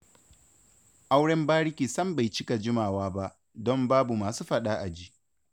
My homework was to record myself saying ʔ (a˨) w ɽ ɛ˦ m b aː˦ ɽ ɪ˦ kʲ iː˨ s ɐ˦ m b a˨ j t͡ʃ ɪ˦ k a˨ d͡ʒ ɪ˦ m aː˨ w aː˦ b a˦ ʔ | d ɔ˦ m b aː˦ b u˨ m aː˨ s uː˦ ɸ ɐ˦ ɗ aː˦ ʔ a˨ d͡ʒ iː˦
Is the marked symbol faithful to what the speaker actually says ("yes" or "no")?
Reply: no